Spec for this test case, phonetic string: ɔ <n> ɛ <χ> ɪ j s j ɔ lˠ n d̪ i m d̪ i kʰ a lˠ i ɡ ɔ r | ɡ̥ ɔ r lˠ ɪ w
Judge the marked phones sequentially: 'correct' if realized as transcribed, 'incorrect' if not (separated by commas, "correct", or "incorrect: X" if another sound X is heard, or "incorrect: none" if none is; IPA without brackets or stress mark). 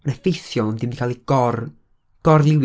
correct, incorrect: f